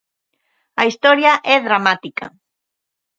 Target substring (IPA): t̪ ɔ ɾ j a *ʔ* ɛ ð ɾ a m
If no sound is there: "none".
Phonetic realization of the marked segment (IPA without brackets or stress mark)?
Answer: ʔ